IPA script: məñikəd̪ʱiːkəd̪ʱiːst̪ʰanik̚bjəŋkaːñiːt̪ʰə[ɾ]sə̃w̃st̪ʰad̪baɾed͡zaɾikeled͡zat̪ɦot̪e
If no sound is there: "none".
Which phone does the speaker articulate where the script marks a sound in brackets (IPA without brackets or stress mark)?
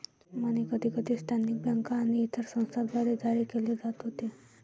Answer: ɾ